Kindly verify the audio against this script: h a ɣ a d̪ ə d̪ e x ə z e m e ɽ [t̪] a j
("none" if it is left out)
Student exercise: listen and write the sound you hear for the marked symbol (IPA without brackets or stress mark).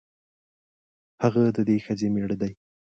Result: d̪